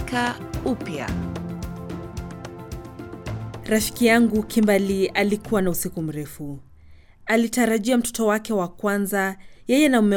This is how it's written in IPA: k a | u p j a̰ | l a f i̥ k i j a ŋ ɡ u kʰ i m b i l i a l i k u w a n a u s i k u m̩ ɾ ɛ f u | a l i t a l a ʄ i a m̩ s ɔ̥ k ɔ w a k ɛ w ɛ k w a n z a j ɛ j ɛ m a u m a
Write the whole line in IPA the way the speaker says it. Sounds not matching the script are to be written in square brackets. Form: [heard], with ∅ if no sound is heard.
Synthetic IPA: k a | u p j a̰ | [ɾ] a f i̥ k i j a ŋ ɡ u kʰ i m b [a] l i a l i k u w a n a u s i k u m̩ ɾ ɛ f u | a l i t a [ɾ] a ʄ i a m̩ [t] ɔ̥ [t] ɔ w a k ɛ w [a] k w a n z a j ɛ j ɛ [n] a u m [ɛ]